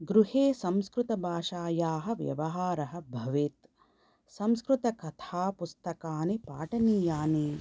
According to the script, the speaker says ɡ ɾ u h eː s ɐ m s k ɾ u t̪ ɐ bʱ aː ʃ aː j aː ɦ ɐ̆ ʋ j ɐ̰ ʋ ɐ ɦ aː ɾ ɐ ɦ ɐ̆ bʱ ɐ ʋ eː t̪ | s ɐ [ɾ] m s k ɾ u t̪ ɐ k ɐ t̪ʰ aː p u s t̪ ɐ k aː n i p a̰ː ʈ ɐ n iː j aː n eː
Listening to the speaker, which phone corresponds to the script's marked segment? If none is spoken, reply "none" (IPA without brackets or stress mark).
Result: none